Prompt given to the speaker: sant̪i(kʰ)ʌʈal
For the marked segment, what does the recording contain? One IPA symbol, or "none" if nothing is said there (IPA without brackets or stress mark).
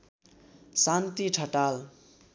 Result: ʈʰ